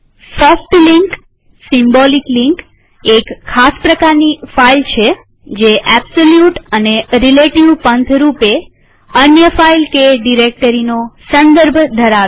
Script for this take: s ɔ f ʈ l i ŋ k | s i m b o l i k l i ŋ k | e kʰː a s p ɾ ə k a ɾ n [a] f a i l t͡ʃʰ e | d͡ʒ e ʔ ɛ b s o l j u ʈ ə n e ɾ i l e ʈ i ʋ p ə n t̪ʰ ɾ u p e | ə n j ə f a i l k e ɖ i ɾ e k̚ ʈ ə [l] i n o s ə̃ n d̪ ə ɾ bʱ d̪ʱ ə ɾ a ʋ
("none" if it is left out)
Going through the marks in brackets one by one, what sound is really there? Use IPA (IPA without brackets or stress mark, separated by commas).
i, ɾ